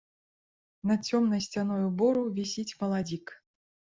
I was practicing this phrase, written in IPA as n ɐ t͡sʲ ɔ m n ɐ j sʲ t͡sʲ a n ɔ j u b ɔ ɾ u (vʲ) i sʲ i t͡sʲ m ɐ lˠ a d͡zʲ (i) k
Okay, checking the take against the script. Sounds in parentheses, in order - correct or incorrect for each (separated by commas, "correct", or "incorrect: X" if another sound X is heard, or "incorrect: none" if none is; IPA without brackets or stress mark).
correct, correct